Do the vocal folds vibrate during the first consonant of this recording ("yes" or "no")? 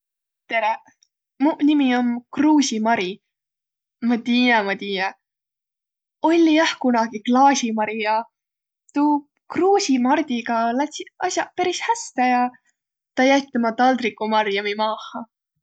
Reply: no